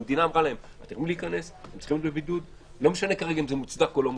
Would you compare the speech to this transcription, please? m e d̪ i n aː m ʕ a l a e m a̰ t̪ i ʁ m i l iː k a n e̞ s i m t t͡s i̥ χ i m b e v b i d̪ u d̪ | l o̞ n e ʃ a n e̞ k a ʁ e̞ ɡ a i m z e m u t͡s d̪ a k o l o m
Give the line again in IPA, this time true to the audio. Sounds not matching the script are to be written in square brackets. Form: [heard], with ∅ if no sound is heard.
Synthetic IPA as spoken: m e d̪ i n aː m [ʁ] a l a e m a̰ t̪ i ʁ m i l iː k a n e̞ s [e] m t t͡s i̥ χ i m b e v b i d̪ u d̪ | l o̞ [m] e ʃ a n e̞ k a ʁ e̞ ɡ a i m z e m u t͡s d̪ a k o l o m